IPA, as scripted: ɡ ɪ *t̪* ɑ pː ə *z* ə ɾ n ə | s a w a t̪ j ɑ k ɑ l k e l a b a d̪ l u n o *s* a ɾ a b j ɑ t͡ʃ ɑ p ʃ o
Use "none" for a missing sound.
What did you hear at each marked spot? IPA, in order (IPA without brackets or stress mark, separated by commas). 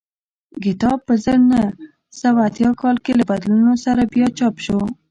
t̪, z, s